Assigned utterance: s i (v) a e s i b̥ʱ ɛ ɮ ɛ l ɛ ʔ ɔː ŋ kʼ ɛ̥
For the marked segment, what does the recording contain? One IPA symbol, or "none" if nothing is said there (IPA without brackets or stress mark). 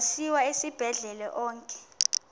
w